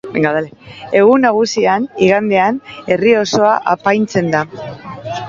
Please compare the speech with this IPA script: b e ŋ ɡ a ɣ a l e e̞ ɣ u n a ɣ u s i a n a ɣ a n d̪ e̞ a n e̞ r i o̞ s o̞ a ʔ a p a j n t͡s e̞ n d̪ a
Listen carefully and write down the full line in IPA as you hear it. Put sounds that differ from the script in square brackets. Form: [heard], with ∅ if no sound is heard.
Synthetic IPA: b e ŋ ɡ a [ð] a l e e̞ ɣ u n a ɣ u s i a n [i] ɣ a n d̪ e̞ a n e̞ r i o̞ s o̞ a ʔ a p a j n t͡s e̞ n d̪ a